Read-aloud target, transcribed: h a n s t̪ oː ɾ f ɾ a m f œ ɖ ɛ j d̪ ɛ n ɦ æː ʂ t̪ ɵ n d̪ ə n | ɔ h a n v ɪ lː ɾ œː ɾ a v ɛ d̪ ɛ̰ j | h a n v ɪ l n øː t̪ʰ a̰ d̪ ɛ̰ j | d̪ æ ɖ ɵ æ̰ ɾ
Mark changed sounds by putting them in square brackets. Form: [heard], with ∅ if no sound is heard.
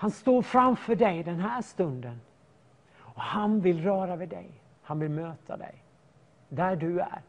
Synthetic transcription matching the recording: h a n s t̪ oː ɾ f ɾ a m f œ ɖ ɛ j d̪ ɛ n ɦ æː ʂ t̪ ɵ n d̪ ə n | ɔ h a n v ɪ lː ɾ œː ɾ a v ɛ d̪ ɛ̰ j | h a n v ɪ l [m] øː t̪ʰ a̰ d̪ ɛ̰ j | d̪ æ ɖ ɵ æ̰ ɾ